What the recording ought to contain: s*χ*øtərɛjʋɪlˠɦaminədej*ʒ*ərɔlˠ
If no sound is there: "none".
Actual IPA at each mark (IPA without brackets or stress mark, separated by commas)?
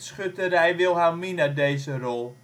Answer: χ, z